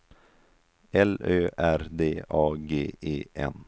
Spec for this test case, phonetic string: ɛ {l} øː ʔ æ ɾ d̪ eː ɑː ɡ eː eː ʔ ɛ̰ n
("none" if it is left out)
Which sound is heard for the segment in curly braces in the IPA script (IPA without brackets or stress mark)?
l